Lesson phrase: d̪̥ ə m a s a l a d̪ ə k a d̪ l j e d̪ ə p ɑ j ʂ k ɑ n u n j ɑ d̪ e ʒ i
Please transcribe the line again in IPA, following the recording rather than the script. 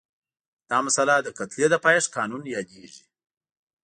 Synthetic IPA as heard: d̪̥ ɑ m a s a l a d̪ ə k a t̪ l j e d̪ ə p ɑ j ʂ k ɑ n u n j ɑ d̪ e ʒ i